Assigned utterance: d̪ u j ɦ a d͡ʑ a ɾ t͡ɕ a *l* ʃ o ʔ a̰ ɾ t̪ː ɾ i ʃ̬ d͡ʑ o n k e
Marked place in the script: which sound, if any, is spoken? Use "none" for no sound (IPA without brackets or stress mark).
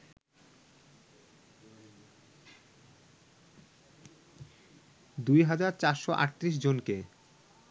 ɾ